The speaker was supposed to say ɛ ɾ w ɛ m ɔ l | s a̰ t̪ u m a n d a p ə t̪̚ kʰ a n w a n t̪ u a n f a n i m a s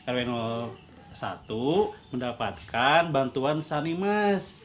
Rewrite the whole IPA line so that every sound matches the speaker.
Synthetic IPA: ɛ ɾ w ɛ n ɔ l | s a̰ t̪ u m ə n d a p a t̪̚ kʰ a n b a n t̪ u a n s a n i m a s